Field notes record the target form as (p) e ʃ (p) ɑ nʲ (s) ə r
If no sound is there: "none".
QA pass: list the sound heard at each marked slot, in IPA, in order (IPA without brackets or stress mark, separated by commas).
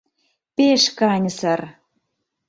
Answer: p, k, s